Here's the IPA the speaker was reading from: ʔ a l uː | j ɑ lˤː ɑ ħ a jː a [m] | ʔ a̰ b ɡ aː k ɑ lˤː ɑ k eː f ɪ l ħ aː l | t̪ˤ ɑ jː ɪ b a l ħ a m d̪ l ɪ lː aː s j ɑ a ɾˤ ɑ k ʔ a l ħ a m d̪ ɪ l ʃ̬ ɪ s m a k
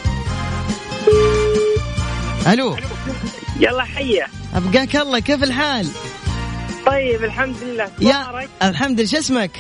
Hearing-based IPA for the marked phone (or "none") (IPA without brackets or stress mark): none